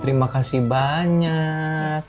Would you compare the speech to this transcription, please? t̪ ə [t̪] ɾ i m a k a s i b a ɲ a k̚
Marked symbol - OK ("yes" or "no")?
no